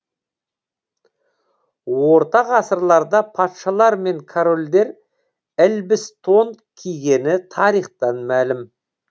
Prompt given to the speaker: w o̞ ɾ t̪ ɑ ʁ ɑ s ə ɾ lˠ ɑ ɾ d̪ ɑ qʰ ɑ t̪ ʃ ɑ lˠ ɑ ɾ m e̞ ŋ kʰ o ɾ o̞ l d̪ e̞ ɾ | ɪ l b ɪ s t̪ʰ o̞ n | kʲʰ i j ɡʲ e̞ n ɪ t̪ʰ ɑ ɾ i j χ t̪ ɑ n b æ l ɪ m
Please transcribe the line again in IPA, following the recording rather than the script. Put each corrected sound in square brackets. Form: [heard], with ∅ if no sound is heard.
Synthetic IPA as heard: w o̞ ɾ t̪ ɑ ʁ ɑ s ə ɾ lˠ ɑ ɾ d̪ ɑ [pʰ] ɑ t̪ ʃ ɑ lˠ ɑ ɾ m e̞ ŋ kʰ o ɾ o̞ l d̪ e̞ ɾ | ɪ l b ɪ s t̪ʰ o̞ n | kʲʰ i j ɡʲ e̞ n ɪ t̪ʰ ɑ ɾ i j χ t̪ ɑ n [m] æ l ɪ m